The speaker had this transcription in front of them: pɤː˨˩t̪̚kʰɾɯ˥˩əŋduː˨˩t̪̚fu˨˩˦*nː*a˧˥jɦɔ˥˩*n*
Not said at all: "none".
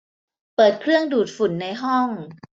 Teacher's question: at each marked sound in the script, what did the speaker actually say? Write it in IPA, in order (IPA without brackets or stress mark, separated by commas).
nː, ŋ